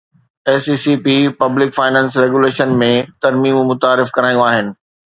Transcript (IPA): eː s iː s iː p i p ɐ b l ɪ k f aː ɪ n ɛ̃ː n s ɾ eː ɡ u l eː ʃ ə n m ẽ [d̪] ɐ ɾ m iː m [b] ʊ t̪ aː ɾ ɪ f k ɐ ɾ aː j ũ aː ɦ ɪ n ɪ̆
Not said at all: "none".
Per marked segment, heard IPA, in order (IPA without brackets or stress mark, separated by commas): t̪, m